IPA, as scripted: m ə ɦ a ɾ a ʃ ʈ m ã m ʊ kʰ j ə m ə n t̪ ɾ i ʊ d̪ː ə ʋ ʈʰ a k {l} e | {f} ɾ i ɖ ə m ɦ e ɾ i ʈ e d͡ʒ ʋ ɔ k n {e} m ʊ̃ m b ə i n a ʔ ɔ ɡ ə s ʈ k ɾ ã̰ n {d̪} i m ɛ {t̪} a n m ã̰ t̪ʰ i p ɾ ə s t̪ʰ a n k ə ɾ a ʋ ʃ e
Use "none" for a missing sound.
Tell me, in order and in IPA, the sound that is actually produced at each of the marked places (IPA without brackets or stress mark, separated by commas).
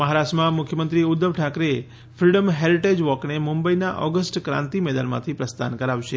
ɾ, f, e, t̪, d̪